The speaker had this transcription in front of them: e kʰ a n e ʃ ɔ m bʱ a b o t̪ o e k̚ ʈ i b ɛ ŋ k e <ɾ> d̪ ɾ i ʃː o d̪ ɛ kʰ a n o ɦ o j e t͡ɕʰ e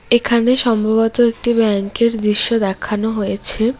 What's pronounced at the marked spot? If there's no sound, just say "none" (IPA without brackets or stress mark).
ɾ